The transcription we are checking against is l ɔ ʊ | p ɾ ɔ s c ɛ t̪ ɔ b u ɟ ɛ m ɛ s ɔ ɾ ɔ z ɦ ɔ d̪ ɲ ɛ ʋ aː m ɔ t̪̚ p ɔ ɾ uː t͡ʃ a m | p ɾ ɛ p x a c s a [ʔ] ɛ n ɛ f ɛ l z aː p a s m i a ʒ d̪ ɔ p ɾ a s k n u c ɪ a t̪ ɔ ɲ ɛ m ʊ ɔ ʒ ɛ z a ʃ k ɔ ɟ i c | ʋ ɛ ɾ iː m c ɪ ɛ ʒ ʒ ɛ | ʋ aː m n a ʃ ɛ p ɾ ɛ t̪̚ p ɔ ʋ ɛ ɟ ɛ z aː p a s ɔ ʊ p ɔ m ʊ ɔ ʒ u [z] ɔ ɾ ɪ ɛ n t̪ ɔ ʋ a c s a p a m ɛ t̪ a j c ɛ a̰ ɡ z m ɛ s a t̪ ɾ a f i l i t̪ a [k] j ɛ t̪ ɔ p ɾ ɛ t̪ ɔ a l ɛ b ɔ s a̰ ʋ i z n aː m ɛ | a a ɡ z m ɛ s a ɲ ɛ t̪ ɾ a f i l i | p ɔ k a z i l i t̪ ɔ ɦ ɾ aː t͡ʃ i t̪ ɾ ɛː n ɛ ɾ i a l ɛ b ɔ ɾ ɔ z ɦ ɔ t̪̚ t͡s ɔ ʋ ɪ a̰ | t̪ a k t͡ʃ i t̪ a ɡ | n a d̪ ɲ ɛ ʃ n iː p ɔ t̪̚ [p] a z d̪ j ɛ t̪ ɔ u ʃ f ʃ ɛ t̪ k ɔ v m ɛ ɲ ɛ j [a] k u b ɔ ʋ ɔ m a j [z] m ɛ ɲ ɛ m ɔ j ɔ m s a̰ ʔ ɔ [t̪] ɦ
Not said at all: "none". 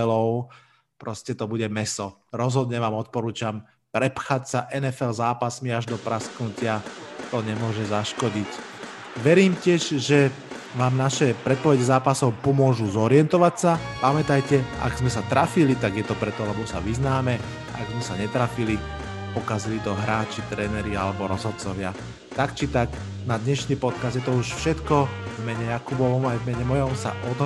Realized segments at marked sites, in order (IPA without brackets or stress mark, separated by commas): ʔ, z, ɡ, k, a, v, d̪